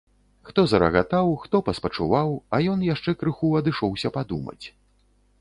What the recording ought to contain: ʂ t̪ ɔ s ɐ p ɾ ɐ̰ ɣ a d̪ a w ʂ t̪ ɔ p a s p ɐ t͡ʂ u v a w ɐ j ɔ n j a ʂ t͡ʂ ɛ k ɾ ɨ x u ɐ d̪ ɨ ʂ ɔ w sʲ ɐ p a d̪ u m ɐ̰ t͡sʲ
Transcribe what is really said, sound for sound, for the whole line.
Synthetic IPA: x t̪ ɔ z ɐ ɾ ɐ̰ ɣ a t̪ a w x t̪ ɔ p ɐ s p ɐ t͡ʂ u v a w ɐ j ɔ n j a ʂ t͡ʂ ɛ k ɾ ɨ x u ɐ d̪ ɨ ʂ ɔ w sʲ ɐ p a d̪ u m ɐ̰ t͡sʲ